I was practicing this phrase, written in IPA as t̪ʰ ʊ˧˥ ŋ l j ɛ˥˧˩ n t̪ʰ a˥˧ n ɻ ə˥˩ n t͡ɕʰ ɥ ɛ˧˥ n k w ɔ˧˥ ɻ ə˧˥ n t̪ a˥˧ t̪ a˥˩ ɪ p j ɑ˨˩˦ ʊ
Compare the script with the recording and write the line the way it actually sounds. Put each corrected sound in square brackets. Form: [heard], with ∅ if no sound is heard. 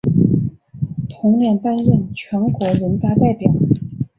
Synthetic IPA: t̪ʰ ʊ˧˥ ŋ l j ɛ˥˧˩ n [t̪] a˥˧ n ɻ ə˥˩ n t͡ɕʰ ɥ ɛ˧˥ n k w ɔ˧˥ ɻ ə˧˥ n t̪ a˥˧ t̪ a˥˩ ɪ p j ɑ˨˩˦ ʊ